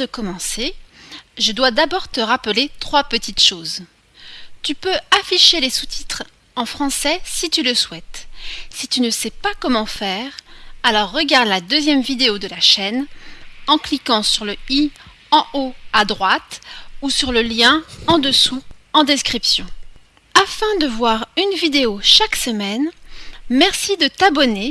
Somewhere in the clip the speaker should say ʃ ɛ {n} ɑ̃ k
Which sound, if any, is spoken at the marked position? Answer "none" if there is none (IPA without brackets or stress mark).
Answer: n